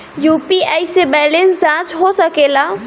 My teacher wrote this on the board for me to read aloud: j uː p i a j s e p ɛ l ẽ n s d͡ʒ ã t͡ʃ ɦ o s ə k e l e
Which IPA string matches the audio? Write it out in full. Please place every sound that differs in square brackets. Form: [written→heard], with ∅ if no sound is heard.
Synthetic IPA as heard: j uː p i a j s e [p→b] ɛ l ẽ n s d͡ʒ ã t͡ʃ ɦ o s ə k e l [e→a]